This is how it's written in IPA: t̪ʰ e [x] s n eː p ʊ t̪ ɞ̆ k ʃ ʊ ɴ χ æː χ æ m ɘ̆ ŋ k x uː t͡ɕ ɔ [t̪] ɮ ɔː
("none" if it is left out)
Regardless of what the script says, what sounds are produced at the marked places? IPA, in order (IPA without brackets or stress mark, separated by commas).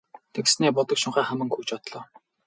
k, t̪